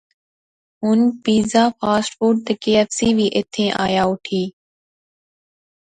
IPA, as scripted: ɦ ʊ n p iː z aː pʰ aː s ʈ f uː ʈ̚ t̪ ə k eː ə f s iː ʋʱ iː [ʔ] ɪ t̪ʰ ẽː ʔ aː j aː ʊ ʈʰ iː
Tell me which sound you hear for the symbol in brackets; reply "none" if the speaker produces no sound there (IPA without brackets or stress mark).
ʔ